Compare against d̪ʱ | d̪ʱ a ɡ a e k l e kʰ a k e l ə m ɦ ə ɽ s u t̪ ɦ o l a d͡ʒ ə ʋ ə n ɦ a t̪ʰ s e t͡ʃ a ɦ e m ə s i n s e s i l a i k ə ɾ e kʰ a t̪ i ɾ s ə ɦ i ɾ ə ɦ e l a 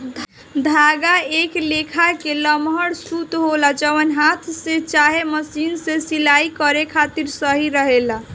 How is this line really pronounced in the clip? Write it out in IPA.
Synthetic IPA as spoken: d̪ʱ | d̪ʱ a ɡ a e k l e kʰ a k e l ə m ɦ ə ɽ s u t̪ ɦ o l a d͡ʒ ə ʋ ə n ɦ a t̪ʰ s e t͡ʃ a ɦ e m ə s i n s e s i l a i k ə ɾ e kʰ a t̪ i ɾ s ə ɦ i ɾ ə ɦ e l a